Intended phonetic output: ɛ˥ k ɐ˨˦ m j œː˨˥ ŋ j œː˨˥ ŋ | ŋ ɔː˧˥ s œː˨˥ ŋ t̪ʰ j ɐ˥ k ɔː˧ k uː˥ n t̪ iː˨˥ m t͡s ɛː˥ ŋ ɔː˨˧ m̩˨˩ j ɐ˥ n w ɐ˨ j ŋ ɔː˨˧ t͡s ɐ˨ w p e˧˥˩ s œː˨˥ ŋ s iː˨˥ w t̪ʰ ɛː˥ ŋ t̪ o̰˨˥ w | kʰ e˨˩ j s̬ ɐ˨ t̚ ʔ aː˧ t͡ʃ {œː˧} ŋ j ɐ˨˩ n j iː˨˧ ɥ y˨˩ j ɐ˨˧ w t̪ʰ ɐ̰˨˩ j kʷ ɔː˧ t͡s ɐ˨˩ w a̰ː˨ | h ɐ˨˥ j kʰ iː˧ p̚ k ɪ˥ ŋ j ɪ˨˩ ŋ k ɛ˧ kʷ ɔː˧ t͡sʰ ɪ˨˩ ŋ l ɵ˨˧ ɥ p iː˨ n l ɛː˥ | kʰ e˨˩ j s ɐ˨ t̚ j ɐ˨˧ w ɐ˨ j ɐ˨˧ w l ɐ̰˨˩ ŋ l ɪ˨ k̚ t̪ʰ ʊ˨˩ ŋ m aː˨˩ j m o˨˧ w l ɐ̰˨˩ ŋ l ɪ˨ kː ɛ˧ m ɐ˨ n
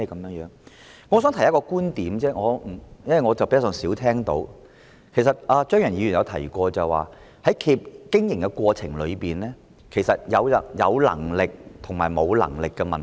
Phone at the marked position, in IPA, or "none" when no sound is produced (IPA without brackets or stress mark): œː˥